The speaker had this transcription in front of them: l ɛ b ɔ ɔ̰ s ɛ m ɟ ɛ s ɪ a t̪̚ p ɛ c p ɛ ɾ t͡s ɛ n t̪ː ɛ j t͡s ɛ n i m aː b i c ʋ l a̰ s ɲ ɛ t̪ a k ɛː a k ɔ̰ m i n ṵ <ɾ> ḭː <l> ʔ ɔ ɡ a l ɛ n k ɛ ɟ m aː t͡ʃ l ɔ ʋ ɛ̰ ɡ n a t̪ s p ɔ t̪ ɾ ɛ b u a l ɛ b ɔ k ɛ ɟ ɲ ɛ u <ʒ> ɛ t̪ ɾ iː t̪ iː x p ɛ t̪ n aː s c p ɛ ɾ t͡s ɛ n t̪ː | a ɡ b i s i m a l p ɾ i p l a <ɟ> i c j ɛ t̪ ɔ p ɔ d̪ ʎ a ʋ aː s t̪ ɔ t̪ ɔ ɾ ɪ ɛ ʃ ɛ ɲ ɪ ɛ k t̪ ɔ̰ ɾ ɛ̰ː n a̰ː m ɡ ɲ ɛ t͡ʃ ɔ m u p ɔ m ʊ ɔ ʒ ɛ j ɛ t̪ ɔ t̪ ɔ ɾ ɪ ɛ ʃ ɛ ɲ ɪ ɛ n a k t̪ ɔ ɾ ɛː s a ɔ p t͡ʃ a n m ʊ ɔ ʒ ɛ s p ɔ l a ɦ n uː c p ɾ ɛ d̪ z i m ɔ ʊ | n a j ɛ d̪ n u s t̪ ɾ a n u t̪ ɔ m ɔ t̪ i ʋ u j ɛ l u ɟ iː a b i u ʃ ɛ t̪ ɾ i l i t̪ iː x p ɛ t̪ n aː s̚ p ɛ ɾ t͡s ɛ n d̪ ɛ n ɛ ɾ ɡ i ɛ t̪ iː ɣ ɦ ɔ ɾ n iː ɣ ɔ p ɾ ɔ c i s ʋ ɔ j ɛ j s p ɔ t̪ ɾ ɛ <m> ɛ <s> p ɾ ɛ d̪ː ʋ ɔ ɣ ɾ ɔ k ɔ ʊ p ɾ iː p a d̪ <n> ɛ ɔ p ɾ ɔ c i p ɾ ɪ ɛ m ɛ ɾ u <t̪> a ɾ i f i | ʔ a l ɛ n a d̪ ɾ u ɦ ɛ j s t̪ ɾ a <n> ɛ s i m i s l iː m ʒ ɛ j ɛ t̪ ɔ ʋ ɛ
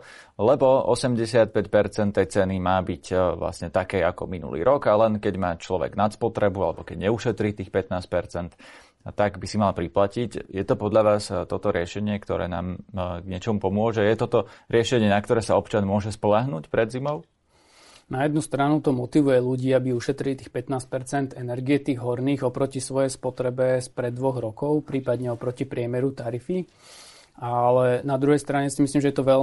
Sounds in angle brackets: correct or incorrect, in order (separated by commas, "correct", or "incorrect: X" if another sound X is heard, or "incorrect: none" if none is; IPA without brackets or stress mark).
incorrect: l, incorrect: ɾ, incorrect: ʃ, incorrect: c, incorrect: b, correct, incorrect: ɲ, correct, incorrect: ɲ